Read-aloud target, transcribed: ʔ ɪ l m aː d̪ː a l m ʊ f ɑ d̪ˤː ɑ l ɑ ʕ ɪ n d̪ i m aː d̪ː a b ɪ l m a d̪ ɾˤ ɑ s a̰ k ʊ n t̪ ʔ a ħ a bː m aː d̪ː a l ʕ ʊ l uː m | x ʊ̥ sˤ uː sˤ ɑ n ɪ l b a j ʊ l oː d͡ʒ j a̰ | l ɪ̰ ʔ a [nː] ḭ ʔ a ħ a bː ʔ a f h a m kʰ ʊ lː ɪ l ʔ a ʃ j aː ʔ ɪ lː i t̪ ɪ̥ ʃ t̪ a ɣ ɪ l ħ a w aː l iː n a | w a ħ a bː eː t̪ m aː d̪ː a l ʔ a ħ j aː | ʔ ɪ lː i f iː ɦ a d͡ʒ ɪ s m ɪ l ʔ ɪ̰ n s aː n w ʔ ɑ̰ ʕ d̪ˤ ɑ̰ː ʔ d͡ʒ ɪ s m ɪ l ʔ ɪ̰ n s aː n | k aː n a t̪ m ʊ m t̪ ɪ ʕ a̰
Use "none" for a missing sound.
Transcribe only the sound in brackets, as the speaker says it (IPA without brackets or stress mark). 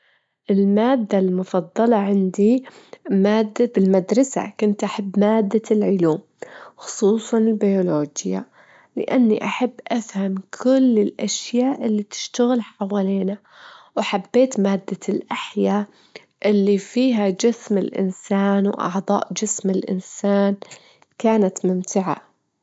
nː